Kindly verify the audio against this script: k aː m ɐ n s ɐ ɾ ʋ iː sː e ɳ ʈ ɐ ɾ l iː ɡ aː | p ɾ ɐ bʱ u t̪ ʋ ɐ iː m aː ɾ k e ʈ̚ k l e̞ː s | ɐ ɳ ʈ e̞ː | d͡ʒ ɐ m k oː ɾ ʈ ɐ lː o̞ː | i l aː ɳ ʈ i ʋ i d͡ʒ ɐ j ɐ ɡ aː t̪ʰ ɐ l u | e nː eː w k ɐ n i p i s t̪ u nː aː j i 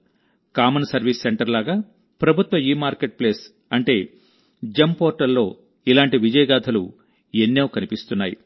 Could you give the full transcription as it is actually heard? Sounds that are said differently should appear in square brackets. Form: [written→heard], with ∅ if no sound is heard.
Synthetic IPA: k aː m ɐ n s ɐ ɾ ʋ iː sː e ɳ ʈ ɐ ɾ l [iː→aː] ɡ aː | p ɾ ɐ bʱ u t̪ ʋ ɐ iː m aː ɾ k e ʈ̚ [k→p] l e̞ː s | ɐ ɳ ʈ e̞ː | d͡ʒ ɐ m [k→p] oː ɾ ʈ ɐ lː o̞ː | i l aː ɳ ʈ i ʋ i d͡ʒ ɐ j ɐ ɡ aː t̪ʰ ɐ l u | e nː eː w k ɐ n i p i s t̪ u nː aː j i

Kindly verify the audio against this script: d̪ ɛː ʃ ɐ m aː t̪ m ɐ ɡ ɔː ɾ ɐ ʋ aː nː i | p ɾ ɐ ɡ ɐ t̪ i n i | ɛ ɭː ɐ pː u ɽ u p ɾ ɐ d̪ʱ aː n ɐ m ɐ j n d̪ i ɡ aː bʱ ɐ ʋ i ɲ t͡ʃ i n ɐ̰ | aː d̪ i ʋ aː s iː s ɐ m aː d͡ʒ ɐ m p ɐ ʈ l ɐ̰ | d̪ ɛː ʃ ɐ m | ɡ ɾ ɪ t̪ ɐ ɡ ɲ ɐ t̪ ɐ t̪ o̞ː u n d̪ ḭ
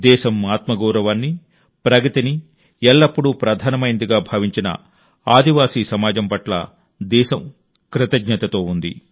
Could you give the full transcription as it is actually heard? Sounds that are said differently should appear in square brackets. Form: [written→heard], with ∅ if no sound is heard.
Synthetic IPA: d̪ ɛː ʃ ɐ m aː t̪ m ɐ ɡ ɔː ɾ ɐ ʋ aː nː i | p ɾ ɐ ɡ ɐ t̪ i n i | ɛ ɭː ɐ pː u ɽ u p ɾ ɐ d̪ʱ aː n ɐ m ɐ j n d̪ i ɡ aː bʱ ɐ ʋ i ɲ t͡ʃ i n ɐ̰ | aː d̪ i ʋ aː s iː s ɐ m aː d͡ʒ ɐ m p ɐ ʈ l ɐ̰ | d̪ ɛː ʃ ɐ m | [ɡ→k] ɾ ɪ t̪ ɐ ɡ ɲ ɐ t̪ ɐ t̪ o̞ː u n d̪ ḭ

